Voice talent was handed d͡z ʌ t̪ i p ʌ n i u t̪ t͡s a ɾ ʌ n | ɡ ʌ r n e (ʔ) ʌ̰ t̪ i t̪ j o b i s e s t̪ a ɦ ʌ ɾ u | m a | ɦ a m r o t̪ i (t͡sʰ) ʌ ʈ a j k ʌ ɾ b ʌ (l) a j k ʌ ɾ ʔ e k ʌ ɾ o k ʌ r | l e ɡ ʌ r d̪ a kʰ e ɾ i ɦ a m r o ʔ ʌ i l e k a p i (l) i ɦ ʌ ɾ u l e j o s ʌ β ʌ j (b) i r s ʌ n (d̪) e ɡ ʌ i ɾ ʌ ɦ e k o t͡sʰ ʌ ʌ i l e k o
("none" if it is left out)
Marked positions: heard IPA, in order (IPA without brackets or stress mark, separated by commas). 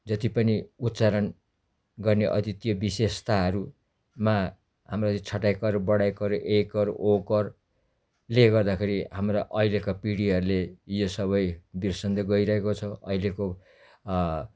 ʔ, t͡sʰ, ɽ, ɽ, b, d̪